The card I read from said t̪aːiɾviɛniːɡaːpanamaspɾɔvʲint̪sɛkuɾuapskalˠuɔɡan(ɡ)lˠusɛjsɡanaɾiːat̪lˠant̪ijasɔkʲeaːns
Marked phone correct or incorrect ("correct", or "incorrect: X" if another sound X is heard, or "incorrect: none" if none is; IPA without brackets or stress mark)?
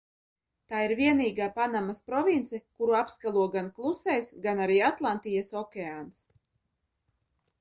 incorrect: k